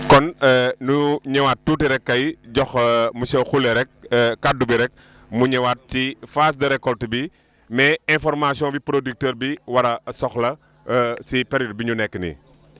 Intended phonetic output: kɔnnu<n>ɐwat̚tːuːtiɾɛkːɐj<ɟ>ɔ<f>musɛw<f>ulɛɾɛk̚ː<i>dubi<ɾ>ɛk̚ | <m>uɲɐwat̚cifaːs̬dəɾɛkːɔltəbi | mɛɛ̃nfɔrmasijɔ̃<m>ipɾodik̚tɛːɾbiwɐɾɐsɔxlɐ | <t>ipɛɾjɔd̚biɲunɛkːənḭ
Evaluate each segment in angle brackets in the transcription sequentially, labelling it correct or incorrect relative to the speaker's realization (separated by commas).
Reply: incorrect, correct, incorrect, incorrect, incorrect, correct, correct, incorrect, incorrect